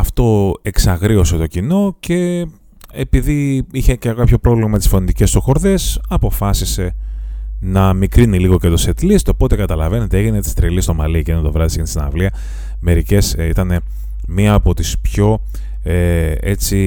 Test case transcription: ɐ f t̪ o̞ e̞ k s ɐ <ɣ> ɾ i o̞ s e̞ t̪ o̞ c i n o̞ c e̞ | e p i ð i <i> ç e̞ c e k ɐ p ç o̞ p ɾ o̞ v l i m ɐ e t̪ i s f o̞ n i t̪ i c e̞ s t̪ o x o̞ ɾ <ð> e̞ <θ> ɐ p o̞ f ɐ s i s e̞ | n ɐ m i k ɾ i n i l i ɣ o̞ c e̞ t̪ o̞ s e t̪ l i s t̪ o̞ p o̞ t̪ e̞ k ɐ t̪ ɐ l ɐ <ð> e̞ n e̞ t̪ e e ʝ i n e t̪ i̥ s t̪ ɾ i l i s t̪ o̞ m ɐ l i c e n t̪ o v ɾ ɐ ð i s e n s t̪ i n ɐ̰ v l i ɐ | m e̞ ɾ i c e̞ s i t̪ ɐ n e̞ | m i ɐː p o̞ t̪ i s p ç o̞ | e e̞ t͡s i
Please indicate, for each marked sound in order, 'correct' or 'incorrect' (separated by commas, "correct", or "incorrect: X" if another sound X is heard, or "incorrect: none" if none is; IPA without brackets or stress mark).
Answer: correct, correct, correct, incorrect: s, incorrect: v